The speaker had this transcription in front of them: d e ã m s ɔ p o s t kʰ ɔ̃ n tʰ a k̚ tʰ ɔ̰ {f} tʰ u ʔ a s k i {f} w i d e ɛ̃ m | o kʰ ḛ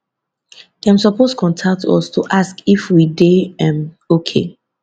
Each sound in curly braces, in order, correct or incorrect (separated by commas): incorrect, correct